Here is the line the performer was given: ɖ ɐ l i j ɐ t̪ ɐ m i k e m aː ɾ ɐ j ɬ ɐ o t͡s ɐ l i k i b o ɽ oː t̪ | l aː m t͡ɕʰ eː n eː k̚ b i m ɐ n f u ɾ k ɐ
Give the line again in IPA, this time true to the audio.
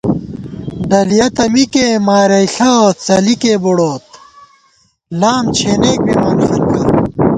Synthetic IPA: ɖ ɐ l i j ɐ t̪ ɐ m i k e m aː ɾ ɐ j ɬ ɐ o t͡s ɐ l i k e b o ɽ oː t̪ | l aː m t͡ɕʰ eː n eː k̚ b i m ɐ n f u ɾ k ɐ